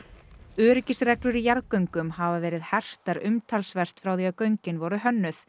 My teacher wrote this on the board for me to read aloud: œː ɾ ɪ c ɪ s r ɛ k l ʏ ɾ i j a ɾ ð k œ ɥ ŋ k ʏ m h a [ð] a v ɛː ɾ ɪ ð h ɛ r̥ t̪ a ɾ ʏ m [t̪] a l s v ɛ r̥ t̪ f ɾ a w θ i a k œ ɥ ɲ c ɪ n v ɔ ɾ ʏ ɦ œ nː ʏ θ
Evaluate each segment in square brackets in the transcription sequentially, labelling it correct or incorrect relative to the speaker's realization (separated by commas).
incorrect, incorrect